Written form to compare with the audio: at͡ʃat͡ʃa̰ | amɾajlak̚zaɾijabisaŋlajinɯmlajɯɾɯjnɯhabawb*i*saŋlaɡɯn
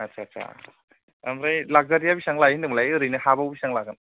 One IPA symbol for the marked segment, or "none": i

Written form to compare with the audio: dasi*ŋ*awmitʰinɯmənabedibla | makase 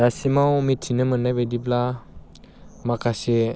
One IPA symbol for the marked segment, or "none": m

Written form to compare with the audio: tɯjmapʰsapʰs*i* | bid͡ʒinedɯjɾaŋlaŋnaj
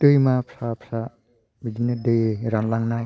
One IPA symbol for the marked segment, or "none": a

